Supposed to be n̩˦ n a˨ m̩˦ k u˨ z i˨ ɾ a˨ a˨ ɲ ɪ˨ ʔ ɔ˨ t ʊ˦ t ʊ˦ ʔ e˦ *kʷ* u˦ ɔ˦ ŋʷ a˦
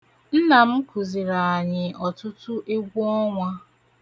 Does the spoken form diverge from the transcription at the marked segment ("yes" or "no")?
yes